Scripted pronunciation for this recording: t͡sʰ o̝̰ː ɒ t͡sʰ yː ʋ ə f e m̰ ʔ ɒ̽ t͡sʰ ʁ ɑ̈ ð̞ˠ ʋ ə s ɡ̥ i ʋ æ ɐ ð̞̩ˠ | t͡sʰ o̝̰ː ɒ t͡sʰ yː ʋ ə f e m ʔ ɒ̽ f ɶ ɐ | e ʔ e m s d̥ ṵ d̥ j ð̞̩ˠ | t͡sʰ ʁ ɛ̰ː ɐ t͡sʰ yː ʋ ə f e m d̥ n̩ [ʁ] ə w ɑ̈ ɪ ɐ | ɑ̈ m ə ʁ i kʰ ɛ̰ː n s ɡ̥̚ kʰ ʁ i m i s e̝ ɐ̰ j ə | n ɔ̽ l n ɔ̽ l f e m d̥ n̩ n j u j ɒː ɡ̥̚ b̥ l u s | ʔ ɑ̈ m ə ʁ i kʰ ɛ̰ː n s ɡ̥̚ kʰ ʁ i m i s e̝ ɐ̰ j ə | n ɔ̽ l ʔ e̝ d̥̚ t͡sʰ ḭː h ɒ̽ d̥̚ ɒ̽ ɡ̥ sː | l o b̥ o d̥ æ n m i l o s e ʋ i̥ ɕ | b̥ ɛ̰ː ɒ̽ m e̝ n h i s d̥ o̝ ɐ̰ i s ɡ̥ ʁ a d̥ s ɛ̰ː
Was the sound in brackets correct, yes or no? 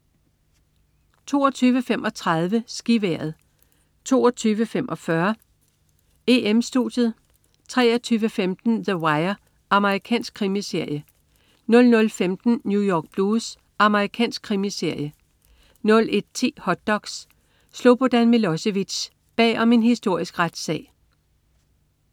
no